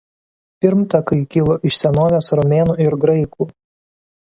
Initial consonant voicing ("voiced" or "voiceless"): voiceless